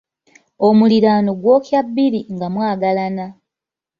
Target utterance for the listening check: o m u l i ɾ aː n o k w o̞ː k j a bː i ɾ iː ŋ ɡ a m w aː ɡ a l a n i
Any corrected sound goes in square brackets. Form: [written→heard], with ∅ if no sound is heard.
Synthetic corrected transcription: o m u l i ɾ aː n o [k→ɡ] w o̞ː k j a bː i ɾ [iː→i] ŋ ɡ a m w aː ɡ a l a n [i→a]